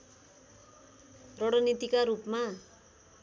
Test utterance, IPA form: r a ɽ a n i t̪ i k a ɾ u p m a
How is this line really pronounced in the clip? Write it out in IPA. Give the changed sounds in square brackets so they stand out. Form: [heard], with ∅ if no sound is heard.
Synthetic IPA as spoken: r [ʌ] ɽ [ʌ] n i t̪ i k a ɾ u p m a